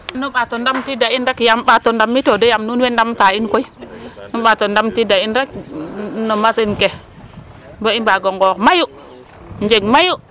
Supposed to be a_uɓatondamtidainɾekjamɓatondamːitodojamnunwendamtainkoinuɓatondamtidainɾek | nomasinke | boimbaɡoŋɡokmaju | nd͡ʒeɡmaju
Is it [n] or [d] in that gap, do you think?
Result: n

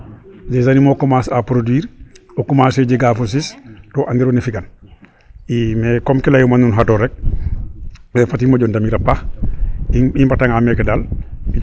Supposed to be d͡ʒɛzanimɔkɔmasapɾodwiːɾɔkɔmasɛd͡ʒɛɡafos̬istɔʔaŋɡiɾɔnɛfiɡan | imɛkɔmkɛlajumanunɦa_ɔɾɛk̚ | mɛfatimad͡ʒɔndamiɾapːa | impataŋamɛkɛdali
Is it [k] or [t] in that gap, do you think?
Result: t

